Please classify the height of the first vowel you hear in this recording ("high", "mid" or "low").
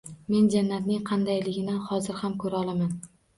mid